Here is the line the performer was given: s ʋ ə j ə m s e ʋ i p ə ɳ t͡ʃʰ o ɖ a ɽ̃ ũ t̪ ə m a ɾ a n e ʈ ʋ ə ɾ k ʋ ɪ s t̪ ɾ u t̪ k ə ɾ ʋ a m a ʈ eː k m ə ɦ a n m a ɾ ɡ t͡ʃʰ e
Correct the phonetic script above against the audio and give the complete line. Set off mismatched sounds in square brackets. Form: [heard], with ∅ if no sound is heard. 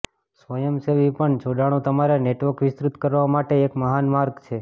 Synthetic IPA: s ʋ ə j ə m s e ʋ i p ə ɳ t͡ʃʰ o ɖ a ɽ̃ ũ t̪ ə m a ɾ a n e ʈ ʋ ə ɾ k ʋ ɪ s t̪ ɾ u t̪ k ə ɾ ʋ a m a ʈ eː k m ə ɦ a n m a ɾ ɡ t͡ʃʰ e